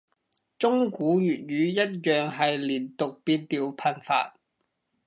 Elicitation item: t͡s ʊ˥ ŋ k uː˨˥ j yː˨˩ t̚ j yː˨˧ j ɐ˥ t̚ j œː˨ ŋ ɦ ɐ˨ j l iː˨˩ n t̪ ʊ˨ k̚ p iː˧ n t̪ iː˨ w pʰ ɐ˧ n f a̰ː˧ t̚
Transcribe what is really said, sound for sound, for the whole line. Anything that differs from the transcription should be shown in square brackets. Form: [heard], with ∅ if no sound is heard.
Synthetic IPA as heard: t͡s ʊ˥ ŋ k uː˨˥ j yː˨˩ t̚ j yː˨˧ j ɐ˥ t̚ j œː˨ ŋ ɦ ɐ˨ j l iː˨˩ n t̪ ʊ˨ k̚ p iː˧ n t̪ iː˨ w pʰ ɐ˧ n f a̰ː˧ t̚